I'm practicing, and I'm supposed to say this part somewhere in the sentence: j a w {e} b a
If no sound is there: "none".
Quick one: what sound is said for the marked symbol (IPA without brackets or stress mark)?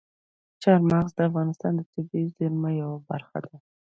a